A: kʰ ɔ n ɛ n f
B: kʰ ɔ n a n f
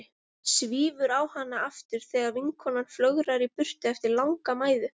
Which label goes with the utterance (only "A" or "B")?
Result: B